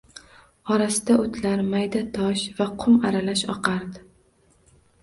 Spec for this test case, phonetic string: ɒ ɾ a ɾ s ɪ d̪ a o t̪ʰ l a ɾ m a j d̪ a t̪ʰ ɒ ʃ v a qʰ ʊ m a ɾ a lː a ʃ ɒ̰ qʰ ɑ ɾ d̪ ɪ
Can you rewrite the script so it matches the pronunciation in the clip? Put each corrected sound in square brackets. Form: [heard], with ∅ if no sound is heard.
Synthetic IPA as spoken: ɒ ɾ a [∅] s ɪ d̪ a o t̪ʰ l a ɾ m a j d̪ a t̪ʰ ɒ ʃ v a qʰ ʊ m a ɾ a [l] a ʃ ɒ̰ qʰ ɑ ɾ d̪ ɪ